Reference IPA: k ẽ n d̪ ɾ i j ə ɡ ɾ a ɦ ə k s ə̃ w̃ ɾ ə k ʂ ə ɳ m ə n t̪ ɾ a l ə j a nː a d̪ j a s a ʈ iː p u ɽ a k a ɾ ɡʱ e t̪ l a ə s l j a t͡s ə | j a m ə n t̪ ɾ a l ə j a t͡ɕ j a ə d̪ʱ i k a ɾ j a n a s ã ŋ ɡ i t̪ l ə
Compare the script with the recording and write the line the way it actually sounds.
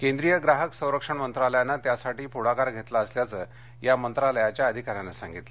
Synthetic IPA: k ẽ n d̪ ɾ i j ə ɡ ɾ a ɦ ə k s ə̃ w̃ ɾ ə k ʂ ə ɳ m ə n t̪ ɾ a l ə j a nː a t̪ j a s a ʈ iː p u ɽ a k a ɾ ɡʱ e t̪ l a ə s l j a t͡s ə | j a m ə n t̪ ɾ a l ə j a t͡ɕ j a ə d̪ʱ i k a ɾ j a n a s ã ŋ ɡ i t̪ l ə